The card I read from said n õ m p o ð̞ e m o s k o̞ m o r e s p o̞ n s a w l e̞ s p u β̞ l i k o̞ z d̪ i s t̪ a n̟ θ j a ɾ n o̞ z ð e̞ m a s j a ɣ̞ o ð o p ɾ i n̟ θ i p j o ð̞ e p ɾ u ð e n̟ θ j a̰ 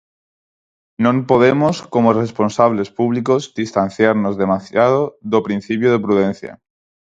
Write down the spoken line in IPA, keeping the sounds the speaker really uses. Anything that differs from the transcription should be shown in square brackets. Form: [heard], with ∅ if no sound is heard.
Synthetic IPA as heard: n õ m p o ð̞ e m o s k o̞ m o r e s p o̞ n s a [β] l e̞ s p u β̞ l i k o̞ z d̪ i s t̪ a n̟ θ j a ɾ n o̞ z ð e̞ m a s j a [ð̞] o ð o p ɾ i n̟ θ i p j o ð̞ e p ɾ u ð e n̟ θ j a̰